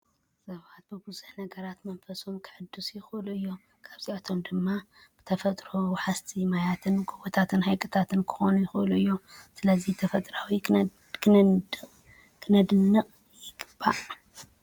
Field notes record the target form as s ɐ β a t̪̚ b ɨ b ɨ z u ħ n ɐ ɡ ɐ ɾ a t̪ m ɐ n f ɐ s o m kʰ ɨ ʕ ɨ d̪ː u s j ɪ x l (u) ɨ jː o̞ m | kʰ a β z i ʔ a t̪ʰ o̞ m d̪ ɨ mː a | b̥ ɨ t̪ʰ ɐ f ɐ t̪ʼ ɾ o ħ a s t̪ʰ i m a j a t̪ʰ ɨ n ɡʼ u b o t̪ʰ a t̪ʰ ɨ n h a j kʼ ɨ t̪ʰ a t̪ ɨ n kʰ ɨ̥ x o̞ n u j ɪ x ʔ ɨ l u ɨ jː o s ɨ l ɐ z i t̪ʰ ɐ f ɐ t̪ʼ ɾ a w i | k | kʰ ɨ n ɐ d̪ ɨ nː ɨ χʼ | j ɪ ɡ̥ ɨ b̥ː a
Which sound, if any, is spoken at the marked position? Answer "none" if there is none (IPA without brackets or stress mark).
u